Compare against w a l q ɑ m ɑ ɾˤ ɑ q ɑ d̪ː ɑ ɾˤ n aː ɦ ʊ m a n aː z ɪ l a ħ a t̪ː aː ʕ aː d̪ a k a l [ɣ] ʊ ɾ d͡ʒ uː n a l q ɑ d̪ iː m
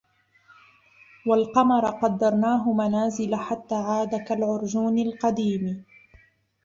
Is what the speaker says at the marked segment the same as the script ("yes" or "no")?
no